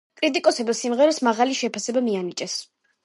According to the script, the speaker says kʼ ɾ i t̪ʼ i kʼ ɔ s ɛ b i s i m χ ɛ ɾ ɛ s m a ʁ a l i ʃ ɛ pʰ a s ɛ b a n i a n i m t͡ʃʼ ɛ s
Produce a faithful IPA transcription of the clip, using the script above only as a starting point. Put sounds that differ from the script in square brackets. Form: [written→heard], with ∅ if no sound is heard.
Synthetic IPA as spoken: kʼ ɾ i t̪ʼ i kʼ ɔ s ɛ b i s i m [χ→ʁ] ɛ ɾ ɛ s m a ʁ a l i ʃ ɛ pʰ a s ɛ b a [n→m] i a n i [m→∅] t͡ʃʼ ɛ s